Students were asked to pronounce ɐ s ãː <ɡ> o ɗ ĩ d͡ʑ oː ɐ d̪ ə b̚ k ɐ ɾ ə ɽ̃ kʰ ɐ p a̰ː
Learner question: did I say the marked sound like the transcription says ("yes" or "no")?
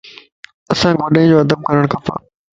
yes